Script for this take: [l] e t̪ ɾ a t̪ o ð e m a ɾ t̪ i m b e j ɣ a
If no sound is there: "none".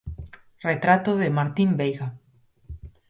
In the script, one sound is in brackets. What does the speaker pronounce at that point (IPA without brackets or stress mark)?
r